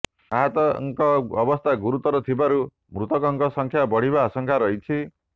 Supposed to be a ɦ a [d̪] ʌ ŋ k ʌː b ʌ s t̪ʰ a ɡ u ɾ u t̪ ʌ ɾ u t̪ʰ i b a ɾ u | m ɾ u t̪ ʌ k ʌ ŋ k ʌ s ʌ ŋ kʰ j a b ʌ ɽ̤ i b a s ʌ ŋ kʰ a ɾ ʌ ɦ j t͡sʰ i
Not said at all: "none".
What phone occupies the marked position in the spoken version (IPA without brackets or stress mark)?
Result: t̪